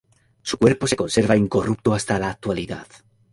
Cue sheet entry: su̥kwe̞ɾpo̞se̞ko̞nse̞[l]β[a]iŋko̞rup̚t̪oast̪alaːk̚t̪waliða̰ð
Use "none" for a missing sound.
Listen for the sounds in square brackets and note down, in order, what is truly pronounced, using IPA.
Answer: ɾ, a

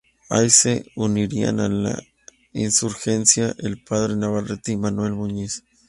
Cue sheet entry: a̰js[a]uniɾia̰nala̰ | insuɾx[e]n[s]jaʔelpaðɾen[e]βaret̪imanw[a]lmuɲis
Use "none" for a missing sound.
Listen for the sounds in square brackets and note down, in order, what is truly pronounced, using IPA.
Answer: e, e, s, a, e

